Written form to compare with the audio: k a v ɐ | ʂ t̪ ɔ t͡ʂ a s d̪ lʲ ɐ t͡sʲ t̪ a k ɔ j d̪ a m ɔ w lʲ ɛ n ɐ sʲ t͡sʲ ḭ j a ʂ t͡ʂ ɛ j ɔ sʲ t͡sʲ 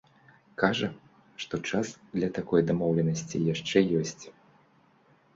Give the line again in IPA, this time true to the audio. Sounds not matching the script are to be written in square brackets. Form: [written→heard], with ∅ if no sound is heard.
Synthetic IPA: k a [v→ʐ] ɐ | ʂ t̪ ɔ t͡ʂ a s d̪ lʲ ɐ [t͡sʲ→∅] t̪ a k ɔ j d̪ a m ɔ w lʲ ɛ n ɐ sʲ t͡sʲ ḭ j a ʂ t͡ʂ ɛ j ɔ sʲ t͡sʲ